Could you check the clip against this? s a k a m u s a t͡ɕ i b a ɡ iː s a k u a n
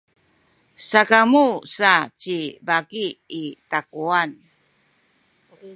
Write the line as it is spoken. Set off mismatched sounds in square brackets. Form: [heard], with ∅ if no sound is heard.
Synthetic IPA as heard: s a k a m u s a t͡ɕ i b a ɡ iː [t] a k u a n